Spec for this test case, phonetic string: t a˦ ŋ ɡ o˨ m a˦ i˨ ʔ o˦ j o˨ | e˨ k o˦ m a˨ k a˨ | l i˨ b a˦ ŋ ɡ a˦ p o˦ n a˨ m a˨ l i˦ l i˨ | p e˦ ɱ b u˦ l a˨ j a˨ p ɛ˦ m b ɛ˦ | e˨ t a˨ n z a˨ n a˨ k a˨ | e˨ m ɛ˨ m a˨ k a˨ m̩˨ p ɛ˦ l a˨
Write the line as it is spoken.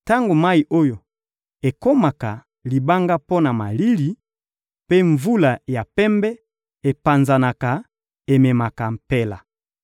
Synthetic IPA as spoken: t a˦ ŋ ɡ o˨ m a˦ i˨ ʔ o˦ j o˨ | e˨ k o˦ m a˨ k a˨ | l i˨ b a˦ ŋ ɡ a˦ p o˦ n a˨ m a˨ l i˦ l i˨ | p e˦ ɱ v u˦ l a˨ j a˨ p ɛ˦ m b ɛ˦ | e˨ p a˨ n z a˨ n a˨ k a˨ | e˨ m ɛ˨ m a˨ k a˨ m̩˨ p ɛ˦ l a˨